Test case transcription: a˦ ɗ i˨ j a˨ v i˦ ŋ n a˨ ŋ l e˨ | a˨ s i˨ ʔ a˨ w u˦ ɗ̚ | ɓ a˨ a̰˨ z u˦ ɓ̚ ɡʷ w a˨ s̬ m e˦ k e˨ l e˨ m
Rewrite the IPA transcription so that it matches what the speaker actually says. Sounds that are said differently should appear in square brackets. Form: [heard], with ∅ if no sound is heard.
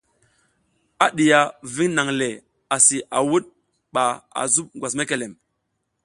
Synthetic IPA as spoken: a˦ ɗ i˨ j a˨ v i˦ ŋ n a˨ ŋ l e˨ | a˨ s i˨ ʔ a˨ w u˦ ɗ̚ | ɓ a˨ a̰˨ z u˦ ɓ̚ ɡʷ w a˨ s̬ m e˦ k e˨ l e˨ m